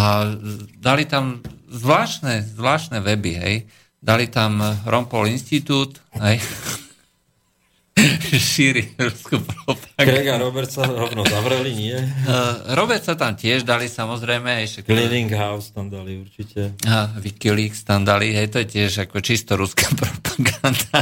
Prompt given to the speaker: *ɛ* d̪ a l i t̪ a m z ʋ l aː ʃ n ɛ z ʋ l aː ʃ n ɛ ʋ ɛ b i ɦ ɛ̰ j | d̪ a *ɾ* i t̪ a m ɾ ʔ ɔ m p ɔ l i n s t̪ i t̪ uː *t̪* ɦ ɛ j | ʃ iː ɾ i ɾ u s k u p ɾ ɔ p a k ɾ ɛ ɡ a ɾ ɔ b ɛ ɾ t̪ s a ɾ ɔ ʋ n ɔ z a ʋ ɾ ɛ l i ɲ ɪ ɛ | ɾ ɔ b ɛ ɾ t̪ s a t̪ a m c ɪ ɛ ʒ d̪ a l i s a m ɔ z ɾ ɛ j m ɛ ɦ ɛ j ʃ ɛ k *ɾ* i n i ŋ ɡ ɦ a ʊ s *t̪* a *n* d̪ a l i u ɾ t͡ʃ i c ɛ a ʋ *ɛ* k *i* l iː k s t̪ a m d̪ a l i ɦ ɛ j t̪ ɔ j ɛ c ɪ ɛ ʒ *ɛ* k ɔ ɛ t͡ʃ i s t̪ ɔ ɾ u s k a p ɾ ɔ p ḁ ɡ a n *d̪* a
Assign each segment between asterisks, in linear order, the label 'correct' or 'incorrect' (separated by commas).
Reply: incorrect, incorrect, correct, incorrect, correct, incorrect, incorrect, correct, incorrect, correct